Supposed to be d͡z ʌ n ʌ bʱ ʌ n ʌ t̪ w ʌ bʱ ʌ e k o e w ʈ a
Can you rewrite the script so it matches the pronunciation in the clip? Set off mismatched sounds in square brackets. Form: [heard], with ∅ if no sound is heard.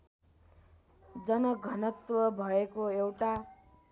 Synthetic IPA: d͡z ʌ n ʌ [ɡʱ] ʌ n ʌ t̪ w ʌ bʱ ʌ e k o e w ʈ a